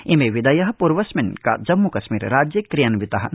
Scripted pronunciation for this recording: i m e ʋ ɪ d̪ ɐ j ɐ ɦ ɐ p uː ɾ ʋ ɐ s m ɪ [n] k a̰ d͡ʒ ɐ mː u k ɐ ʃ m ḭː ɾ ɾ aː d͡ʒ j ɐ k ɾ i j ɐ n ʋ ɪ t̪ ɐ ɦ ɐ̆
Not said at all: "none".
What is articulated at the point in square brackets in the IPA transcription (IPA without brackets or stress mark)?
n